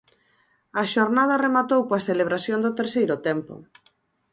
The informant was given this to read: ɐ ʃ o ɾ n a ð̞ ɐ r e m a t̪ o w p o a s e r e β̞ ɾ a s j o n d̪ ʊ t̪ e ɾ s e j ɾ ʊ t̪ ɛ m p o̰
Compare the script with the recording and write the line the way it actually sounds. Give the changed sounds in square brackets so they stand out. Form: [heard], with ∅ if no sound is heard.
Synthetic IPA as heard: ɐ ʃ o ɾ n a ð̞ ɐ r e m a t̪ o w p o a s e [l] e β̞ ɾ a s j o n d̪ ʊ t̪ e ɾ s e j ɾ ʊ t̪ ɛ m p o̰

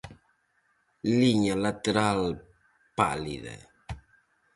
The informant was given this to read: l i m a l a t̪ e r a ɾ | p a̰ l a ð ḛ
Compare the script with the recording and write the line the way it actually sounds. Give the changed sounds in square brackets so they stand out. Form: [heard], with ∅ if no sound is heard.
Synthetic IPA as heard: l i [ɲ] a l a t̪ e [ɾ] a [l] | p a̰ l [i] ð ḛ

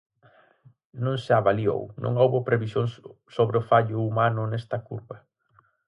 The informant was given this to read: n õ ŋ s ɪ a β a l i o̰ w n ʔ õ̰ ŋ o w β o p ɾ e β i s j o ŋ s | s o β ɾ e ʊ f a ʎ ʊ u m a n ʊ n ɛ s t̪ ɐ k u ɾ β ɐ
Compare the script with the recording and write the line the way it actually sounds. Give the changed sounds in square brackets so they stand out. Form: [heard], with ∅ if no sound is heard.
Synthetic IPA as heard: n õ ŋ s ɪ a β a l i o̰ w n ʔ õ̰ ŋ o w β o p ɾ e β i s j o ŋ s | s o β ɾ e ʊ f a ʎ ʊ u m a n ʊ n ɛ s t̪ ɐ k u ɾ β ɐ

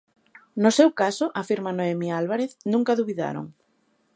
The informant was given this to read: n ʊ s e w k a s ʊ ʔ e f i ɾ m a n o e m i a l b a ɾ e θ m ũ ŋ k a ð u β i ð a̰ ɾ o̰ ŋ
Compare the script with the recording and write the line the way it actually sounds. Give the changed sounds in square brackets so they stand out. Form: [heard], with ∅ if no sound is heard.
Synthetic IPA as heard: n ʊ s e w k a s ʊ ʔ [a] f i ɾ m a n o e m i a l [β] a ɾ e θ [n] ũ ŋ k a ð u β i ð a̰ ɾ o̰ ŋ

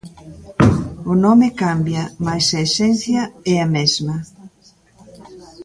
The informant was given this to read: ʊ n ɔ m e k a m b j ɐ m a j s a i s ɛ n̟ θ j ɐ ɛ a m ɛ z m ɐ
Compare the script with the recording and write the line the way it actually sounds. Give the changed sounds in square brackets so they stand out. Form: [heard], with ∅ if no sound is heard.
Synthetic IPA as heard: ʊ n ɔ m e k a m b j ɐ m a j s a [e] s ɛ n̟ θ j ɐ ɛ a m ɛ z m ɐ

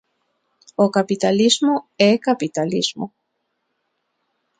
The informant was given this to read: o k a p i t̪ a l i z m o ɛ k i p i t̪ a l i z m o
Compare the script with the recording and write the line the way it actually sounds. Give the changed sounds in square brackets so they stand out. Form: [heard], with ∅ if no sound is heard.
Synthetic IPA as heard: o k a p i t̪ a l i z m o ɛ k [a] p i t̪ a l i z m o

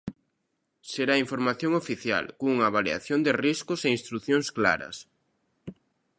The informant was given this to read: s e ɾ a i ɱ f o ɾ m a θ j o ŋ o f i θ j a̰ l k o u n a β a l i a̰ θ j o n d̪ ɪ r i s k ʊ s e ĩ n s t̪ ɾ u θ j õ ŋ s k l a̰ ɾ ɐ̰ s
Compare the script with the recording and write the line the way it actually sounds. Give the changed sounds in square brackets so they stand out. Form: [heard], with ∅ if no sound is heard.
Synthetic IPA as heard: s e ɾ a i ɱ f o ɾ m a θ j o ŋ o f i θ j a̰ l k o u [ŋ] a β a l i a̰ θ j o n d̪ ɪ r i s k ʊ s e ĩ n s t̪ ɾ u θ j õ ŋ s k l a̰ ɾ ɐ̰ s

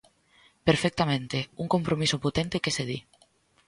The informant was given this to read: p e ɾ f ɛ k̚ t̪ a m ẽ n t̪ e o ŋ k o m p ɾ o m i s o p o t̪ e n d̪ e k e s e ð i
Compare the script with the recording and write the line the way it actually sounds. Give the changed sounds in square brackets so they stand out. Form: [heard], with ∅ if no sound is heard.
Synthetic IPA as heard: p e ɾ f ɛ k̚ t̪ a m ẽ n t̪ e [u] ŋ k o m p ɾ o m i s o p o t̪ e n [t̪] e k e s e ð i

